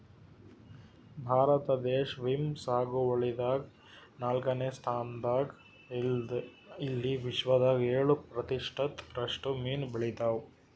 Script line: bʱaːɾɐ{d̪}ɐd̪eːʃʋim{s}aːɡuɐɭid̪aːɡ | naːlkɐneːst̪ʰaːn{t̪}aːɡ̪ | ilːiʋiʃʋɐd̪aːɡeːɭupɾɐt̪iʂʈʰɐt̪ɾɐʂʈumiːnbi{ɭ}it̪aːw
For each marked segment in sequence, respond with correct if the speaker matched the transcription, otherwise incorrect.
incorrect: t̪, correct, incorrect: d̪, correct

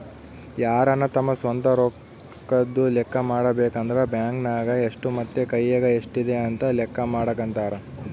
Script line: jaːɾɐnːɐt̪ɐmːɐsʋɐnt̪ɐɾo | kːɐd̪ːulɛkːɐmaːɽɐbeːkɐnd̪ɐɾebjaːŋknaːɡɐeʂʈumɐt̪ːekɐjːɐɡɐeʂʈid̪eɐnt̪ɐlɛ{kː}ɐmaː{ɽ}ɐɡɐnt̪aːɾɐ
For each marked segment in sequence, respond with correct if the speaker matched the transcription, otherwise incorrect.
correct, correct

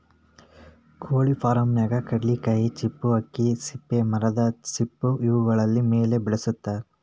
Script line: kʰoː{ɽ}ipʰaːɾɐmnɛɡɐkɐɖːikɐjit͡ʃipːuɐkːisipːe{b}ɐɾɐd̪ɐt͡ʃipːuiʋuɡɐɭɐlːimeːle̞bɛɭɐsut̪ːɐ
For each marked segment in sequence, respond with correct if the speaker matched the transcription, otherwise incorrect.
incorrect: ɭ, incorrect: m

